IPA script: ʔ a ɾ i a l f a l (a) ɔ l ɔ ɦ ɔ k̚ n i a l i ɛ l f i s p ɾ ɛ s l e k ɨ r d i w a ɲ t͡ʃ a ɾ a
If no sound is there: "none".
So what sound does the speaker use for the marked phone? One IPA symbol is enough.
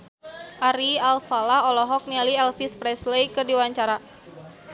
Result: a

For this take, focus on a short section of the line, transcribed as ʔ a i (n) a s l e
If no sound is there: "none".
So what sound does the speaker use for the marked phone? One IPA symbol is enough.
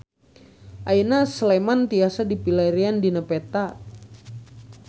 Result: n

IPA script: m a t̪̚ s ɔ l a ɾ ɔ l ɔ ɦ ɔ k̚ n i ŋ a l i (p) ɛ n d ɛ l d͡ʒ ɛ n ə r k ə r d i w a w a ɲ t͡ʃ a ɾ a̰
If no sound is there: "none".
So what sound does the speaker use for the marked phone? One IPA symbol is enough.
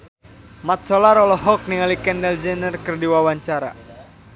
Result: k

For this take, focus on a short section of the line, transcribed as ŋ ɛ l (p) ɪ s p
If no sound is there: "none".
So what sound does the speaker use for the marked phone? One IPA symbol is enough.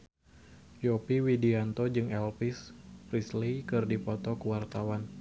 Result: p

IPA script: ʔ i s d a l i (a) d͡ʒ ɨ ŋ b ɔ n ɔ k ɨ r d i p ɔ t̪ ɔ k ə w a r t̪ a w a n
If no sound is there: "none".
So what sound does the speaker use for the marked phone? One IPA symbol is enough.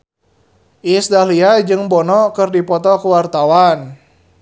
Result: a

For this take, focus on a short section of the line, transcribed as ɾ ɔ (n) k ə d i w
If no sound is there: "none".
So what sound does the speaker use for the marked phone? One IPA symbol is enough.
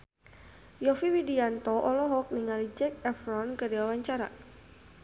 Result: n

